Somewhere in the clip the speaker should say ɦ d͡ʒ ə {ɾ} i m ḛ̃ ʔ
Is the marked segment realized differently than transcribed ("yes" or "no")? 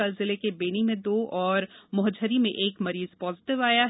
no